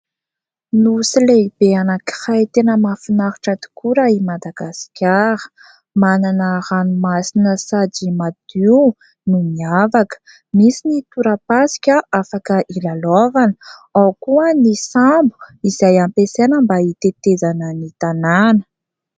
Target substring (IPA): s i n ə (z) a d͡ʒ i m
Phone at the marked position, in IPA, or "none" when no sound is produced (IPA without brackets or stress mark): s